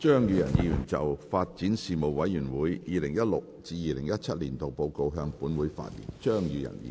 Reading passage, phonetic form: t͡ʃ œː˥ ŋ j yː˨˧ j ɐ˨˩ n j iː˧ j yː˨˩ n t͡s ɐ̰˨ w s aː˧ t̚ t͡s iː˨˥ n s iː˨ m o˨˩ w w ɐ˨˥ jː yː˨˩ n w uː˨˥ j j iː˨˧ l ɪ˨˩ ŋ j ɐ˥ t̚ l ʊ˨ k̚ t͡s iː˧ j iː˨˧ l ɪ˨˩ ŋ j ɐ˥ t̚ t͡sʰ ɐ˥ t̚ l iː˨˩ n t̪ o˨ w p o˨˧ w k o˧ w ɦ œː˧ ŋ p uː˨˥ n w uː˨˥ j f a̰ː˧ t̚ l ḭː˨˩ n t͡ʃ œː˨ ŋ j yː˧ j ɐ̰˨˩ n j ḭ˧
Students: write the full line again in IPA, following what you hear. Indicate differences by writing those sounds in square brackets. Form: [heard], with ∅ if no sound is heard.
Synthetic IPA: t͡ʃ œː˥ ŋ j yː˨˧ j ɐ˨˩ n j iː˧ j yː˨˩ n t͡s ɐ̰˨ w [f] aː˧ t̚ t͡s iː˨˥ n s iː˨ m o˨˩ w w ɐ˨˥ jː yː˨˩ n w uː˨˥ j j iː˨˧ l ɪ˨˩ ŋ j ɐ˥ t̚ l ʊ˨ k̚ t͡s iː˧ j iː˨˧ l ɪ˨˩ ŋ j ɐ˥ t̚ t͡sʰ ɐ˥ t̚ l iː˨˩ n t̪ o˨ w p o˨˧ w k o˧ w ɦ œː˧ ŋ p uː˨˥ n w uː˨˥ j f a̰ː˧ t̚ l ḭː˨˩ n t͡ʃ [œː˥] ŋ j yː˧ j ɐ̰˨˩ n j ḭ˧

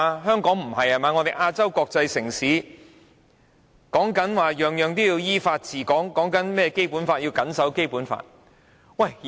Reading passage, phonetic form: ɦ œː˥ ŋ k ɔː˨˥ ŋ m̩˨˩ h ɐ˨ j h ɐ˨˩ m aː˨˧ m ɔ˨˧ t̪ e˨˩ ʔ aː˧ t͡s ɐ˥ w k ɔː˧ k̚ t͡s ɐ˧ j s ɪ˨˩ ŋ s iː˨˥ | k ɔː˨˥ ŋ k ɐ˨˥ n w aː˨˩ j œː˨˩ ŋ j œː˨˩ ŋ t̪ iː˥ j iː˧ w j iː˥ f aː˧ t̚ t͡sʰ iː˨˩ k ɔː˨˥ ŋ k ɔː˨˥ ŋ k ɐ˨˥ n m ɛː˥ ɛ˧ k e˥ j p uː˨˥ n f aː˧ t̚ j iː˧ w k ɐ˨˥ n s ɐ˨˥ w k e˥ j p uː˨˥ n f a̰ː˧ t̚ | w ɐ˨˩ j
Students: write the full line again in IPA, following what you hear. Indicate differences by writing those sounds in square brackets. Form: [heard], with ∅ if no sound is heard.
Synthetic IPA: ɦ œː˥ ŋ k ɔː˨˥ ŋ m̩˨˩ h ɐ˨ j h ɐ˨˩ m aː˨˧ [ŋ] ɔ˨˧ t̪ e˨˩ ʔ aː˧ t͡s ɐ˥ w k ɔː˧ k̚ t͡s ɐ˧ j s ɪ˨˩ ŋ s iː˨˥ | k ɔː˨˥ ŋ k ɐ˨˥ n w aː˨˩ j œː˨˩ ŋ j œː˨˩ ŋ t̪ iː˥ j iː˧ w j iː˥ f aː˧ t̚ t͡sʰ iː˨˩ k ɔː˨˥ ŋ k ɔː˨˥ ŋ k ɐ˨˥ n m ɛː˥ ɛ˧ k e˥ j p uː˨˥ n f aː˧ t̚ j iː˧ w k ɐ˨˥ n s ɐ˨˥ w k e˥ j p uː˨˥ n f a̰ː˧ t̚ | w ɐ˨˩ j

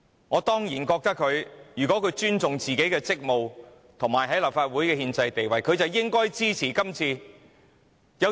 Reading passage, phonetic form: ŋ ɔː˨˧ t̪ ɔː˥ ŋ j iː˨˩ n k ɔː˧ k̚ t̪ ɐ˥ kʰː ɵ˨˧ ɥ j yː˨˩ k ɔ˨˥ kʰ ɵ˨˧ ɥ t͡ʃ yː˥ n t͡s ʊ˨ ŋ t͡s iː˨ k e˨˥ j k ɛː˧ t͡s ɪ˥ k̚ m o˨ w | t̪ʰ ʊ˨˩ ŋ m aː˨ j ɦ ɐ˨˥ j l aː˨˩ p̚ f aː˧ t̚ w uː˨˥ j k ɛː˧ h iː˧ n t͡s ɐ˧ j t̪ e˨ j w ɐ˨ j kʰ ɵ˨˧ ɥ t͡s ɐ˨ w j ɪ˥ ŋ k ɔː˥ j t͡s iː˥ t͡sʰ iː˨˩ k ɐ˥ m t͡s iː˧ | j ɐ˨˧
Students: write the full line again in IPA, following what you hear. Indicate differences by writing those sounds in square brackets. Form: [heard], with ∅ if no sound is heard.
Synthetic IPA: ŋ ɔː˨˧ t̪ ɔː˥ ŋ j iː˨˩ n k ɔː˧ k̚ t̪ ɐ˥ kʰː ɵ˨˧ ɥ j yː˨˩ k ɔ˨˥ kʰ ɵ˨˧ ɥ t͡ʃ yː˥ n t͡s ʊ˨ ŋ t͡s iː˨ k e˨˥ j k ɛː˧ t͡s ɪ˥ k̚ m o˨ w | t̪ʰ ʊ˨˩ ŋ m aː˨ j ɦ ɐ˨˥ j l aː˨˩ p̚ f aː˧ t̚ w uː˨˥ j k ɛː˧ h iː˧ n t͡s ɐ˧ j t̪ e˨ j w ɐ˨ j kʰ ɵ˨˧ ɥ t͡s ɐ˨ w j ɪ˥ ŋ k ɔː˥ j t͡s iː˥ t͡sʰ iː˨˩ k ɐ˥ m [t͡sʰ] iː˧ | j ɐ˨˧

